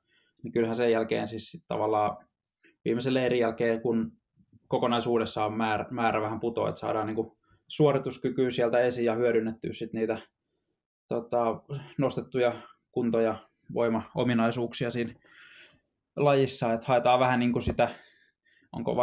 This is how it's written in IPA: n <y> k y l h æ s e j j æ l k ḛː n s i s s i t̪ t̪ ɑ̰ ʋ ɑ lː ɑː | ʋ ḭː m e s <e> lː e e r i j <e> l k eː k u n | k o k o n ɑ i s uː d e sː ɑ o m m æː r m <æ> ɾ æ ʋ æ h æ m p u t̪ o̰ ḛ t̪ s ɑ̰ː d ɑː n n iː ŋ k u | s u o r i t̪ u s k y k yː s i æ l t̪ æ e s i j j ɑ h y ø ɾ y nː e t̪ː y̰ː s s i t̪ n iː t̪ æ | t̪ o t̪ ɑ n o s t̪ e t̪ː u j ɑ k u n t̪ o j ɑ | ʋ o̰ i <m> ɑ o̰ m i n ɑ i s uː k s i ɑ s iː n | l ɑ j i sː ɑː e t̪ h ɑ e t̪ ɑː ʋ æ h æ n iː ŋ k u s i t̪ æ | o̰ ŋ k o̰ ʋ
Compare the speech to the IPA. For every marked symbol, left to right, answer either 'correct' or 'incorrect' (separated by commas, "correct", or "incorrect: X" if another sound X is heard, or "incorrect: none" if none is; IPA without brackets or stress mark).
incorrect: i, correct, incorrect: æ, incorrect: æː, correct